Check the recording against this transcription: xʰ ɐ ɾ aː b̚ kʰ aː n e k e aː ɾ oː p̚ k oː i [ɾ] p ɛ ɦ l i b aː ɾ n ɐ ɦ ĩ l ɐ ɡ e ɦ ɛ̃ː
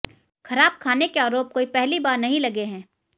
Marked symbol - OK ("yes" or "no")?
no